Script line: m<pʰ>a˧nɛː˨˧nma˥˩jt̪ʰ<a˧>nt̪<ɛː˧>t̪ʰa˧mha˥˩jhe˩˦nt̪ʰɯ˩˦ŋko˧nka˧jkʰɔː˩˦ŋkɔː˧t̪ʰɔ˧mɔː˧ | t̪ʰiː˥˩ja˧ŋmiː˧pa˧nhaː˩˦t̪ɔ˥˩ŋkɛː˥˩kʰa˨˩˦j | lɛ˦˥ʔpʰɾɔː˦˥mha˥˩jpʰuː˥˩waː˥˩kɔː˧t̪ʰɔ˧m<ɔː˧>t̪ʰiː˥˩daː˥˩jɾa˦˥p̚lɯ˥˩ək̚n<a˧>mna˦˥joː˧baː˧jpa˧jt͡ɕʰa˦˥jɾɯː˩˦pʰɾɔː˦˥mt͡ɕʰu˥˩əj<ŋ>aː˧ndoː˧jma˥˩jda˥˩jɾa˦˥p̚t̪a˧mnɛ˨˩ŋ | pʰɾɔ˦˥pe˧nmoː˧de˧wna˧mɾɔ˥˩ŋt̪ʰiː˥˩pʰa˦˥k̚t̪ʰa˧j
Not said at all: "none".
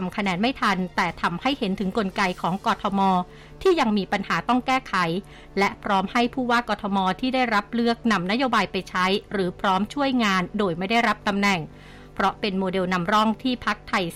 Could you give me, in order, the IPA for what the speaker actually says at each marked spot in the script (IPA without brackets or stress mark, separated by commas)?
kʰ, a˧, ɛː˨˩, ɔː˧, a˧, ŋ